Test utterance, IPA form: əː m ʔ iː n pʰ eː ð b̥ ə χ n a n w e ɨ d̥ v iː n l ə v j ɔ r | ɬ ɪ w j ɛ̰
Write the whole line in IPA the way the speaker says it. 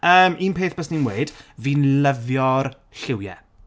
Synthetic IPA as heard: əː m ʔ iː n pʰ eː θ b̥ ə s n i n w e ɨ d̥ v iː n l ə v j ɔ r | ɬ ɪ w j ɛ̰